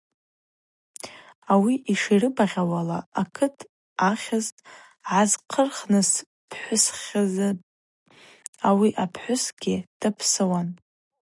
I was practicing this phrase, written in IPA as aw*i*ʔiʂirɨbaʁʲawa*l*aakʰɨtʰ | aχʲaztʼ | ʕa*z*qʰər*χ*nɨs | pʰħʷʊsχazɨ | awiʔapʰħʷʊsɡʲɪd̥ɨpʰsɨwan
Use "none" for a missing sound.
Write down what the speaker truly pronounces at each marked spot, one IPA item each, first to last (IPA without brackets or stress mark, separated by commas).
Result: i, l, z, χ